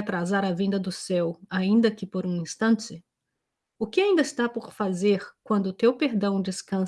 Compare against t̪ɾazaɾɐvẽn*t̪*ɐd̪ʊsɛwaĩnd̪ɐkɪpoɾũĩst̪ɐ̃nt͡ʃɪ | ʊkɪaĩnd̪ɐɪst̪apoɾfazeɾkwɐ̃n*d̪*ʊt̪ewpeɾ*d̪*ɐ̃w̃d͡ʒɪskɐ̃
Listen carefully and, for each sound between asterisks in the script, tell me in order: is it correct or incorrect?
incorrect: d̪, correct, correct

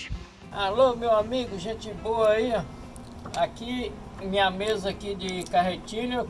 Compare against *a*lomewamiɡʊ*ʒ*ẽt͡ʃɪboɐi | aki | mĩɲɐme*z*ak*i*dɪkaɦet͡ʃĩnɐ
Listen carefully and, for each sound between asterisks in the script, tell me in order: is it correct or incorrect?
correct, correct, correct, correct

